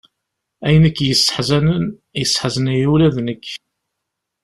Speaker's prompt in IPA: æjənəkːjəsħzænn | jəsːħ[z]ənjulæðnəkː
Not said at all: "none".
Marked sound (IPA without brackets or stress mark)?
z